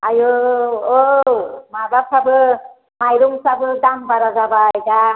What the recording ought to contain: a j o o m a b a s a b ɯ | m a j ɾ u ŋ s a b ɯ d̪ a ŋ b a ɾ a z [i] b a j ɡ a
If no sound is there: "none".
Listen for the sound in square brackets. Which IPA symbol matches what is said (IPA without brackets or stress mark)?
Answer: a